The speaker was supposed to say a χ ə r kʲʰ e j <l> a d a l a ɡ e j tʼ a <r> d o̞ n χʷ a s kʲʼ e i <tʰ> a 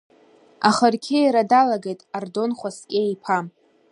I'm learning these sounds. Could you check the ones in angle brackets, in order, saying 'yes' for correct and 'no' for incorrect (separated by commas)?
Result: no, yes, no